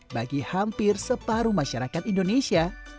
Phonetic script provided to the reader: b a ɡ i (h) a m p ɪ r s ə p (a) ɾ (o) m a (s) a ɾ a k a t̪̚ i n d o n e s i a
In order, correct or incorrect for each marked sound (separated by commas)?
correct, correct, incorrect, incorrect